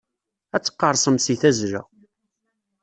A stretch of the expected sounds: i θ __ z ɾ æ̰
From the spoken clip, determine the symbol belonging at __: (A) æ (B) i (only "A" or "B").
A